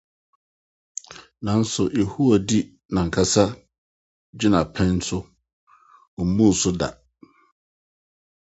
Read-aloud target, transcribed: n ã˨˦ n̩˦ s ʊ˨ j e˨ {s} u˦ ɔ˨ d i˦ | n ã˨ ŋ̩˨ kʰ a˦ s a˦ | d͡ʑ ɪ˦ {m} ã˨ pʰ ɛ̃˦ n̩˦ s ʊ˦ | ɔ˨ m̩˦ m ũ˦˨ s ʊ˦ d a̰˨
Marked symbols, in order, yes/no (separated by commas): no, no